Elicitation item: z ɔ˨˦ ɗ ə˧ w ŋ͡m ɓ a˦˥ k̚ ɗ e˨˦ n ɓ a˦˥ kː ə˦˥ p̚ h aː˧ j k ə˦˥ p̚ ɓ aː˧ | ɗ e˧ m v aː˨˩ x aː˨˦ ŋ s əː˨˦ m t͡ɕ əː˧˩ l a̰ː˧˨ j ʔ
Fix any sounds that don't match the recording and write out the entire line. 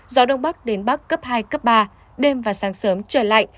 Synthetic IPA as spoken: z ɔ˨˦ ɗ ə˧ w ŋ͡m ɓ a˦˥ k̚ ɗ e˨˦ n ɓ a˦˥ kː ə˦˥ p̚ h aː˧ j k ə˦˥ p̚ ɓ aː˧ | ɗ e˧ m v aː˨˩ s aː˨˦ ŋ s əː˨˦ m t͡ɕ əː˧˩ l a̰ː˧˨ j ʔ